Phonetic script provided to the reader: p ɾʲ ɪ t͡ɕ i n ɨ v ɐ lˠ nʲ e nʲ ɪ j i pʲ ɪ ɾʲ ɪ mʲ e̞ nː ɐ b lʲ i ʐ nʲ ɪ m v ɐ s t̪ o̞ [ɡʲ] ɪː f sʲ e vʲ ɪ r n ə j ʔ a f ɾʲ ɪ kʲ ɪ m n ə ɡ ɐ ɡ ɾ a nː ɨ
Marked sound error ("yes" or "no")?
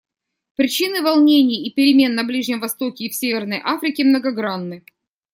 yes